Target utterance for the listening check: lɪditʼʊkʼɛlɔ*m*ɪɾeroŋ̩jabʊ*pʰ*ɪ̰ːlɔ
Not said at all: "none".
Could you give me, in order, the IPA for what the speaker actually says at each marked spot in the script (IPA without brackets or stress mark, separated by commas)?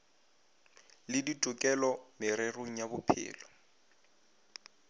m, pʰ